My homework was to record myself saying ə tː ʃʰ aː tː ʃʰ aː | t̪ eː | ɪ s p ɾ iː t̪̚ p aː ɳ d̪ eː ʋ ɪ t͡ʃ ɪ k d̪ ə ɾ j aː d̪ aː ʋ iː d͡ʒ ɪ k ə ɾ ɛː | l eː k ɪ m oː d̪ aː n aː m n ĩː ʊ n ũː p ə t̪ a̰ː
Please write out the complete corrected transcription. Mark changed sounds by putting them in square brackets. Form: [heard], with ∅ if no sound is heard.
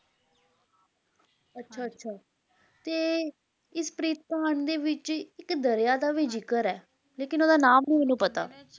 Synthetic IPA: ə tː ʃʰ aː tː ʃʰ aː | t̪ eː | ɪ s p ɾ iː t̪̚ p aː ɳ d̪ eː ʋ ɪ t͡ʃ ɪ k d̪ ə ɾ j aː d̪ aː ʋ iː d͡ʒ ɪ k ə ɾ ɛː | l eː k ɪ [n] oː d̪ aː n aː m n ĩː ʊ n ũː p ə t̪ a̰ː